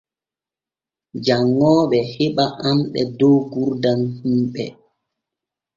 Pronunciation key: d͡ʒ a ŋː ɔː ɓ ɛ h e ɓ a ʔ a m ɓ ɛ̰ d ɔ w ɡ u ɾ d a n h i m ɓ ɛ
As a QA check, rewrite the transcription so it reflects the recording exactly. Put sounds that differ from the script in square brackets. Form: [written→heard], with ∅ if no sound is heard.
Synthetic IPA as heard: d͡ʒ a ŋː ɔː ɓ ɛ h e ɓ a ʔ a m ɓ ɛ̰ d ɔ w ɡ u ɾ d a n h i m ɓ ɛ

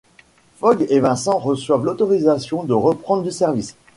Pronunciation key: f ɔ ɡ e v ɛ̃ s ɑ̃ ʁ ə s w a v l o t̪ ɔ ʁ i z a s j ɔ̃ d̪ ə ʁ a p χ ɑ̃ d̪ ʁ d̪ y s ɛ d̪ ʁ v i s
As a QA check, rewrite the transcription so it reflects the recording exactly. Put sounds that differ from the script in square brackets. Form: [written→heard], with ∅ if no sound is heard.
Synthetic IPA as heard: f ɔ ɡ e v ɛ̃ s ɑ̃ ʁ ə s w a v l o t̪ ɔ ʁ i z a s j ɔ̃ d̪ ə ʁ [a→ə] p χ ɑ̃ d̪ ʁ d̪ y s ɛ [d̪→∅] ʁ v i s

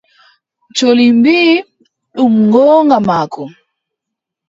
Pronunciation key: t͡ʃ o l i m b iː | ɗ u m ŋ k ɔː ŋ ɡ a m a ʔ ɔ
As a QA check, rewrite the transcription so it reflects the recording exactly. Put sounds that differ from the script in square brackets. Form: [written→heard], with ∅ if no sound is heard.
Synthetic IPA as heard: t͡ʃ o l i m b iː | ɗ u m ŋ [k→ɡ] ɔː ŋ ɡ a m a [ʔ→k] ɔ

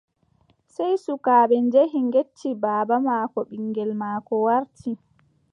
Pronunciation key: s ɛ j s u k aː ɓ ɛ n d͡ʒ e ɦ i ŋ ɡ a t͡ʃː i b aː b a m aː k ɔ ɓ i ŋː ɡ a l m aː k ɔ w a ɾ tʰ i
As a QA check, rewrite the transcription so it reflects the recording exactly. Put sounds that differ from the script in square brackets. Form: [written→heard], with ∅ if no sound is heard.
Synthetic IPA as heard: s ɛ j s u k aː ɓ ɛ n d͡ʒ e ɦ i ŋ ɡ [a→e] t͡ʃː i b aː b a m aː k ɔ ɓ i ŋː ɡ [a→ɛ] l m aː k ɔ w a ɾ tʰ i

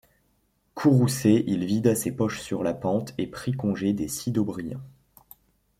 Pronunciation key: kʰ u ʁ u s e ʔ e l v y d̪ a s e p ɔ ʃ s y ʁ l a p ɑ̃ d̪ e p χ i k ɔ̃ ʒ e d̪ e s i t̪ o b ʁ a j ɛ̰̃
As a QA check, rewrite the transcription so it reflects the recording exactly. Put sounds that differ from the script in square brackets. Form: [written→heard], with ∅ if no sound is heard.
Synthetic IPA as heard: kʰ u ʁ u s e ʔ [e→i] l v [y→i] d̪ a s e p ɔ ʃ s y ʁ l a p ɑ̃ [d̪→t̪] e p χ i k ɔ̃ ʒ e d̪ e s i [t̪→d̪] o b ʁ [a→i] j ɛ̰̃

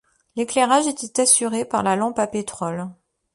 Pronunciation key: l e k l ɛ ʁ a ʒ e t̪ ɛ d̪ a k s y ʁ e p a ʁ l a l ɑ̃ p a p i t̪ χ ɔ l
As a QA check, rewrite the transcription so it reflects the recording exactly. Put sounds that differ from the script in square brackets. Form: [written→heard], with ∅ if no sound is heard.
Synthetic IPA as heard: l e k l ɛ ʁ a ʒ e t̪ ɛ [d̪→t̪] a [k→∅] s y ʁ e p a ʁ l a l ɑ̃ p a p [i→e] t̪ χ ɔ l

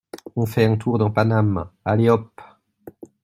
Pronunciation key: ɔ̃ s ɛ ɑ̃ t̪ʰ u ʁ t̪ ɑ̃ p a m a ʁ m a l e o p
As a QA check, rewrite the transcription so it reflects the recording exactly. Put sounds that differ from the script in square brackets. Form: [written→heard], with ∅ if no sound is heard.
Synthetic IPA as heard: ɔ̃ [s→f] ɛ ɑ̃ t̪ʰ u ʁ [t̪→d̪] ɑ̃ p a [m→n] a [ʁ→∅] m a l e [o→ɔ] p

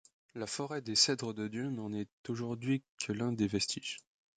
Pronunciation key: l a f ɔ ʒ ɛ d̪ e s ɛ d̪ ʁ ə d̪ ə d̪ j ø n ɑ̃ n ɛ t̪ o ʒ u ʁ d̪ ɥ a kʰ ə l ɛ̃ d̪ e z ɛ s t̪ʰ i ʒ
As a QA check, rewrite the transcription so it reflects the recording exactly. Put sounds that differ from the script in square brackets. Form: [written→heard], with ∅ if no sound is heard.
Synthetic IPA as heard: l a f ɔ [ʒ→ʁ] ɛ d̪ e s ɛ d̪ ʁ ə d̪ ə d̪ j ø n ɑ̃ n ɛ t̪ o ʒ u ʁ d̪ ɥ [a→i] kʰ ə l ɛ̃ d̪ e [z→v] ɛ s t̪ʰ i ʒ

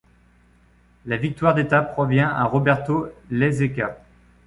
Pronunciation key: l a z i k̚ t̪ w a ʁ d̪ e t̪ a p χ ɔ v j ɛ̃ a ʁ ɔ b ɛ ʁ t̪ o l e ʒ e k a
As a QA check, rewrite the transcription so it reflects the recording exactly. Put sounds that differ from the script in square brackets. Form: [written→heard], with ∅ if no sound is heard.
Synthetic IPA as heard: l a [z→v] i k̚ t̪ w a ʁ d̪ e t̪ a p χ ɔ v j ɛ̃ a ʁ ɔ b ɛ ʁ t̪ o l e [ʒ→z] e k a

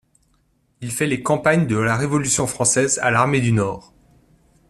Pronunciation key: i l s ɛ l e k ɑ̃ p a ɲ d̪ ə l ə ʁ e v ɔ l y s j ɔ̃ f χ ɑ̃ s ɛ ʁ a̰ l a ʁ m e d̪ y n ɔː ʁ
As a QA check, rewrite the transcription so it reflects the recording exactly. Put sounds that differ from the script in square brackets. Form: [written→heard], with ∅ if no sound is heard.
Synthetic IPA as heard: i l [s→f] ɛ l e k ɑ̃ p a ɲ d̪ ə l [ə→a] ʁ e v ɔ l y s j ɔ̃ f χ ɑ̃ s ɛ [ʁ→z] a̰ l a ʁ m e d̪ y n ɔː ʁ

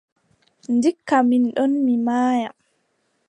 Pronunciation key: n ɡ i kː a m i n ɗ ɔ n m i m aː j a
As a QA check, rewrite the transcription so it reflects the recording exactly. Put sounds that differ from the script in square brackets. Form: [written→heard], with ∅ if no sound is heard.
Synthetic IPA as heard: n [ɡ→d] i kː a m i n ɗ ɔ n m i m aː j a

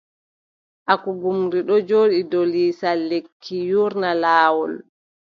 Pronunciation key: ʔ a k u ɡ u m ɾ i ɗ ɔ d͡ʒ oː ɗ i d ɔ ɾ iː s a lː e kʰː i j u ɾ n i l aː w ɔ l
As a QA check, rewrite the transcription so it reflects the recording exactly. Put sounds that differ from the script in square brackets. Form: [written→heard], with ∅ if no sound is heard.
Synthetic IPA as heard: ʔ a k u ɡ u m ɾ i ɗ ɔ d͡ʒ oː ɗ i d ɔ [ɾ→l] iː s a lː e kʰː i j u ɾ n [i→a] l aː w ɔ l

